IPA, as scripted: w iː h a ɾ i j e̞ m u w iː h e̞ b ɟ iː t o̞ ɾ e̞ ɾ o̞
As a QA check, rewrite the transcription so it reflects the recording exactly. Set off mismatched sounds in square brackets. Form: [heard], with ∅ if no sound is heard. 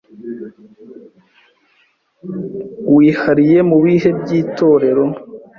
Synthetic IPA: w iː h a ɾ i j e̞ m u [β] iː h e̞ b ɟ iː t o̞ ɾ e̞ ɾ o̞